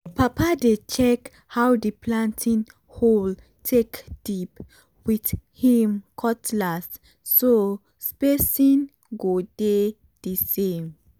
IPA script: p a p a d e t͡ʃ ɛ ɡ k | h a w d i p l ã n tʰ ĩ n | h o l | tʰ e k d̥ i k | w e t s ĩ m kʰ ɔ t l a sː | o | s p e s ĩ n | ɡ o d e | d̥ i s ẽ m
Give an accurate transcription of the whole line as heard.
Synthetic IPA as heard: p a p a d e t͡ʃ ɛ k | h a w d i p l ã n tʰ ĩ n | h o l | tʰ e k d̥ i p | w i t h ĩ m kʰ ɔ t l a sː | o | s p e s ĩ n | ɡ o d e | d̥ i s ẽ m

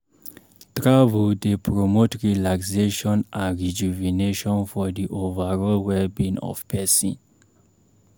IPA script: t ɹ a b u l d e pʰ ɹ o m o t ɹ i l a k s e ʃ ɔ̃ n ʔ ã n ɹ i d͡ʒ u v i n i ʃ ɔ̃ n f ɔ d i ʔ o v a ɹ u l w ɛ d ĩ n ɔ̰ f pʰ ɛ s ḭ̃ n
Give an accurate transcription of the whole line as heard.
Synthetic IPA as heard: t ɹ a v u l d e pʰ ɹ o m o t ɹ i l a k s e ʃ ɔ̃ n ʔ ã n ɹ i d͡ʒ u v i n e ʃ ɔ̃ n f ɔ d i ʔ o v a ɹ ɔ l w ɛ b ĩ n ɔ̰ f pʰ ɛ s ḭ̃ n

